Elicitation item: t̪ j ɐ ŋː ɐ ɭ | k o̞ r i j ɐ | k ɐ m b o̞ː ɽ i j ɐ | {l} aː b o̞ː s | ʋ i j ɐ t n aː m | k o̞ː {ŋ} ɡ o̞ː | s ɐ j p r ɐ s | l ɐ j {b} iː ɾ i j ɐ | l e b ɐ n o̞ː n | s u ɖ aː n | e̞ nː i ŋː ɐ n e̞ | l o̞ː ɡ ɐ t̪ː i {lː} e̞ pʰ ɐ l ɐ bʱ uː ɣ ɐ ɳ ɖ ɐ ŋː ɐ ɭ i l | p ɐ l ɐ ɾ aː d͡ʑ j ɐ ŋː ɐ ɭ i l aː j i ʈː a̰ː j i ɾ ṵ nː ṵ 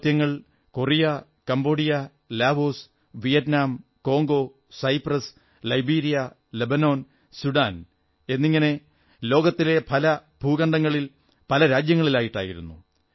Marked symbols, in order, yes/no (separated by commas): yes, yes, yes, no